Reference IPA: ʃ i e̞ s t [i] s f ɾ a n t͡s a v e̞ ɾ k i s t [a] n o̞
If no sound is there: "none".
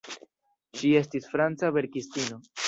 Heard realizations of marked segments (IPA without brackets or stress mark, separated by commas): i, i